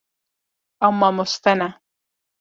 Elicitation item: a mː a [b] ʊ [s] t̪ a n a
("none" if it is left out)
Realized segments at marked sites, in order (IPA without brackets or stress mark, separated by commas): m, s